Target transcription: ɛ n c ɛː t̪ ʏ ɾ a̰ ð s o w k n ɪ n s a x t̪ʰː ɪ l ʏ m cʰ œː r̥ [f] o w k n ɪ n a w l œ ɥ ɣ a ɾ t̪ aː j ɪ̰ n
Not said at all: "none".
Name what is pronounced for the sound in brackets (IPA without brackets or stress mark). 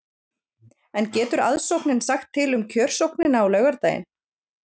s